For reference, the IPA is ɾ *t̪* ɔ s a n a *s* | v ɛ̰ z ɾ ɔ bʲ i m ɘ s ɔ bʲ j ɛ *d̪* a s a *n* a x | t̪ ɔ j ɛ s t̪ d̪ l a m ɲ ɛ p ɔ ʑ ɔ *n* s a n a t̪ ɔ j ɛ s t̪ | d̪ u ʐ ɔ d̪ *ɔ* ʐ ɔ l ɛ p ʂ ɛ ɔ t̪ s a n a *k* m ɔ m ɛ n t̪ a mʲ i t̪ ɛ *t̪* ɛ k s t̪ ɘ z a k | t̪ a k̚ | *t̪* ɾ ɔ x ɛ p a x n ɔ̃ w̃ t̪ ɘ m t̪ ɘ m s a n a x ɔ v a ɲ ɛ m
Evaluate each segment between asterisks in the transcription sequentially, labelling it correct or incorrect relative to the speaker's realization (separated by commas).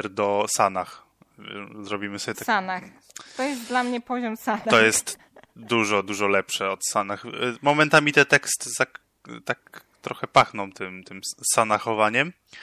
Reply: incorrect, incorrect, incorrect, correct, incorrect, incorrect, incorrect, correct, correct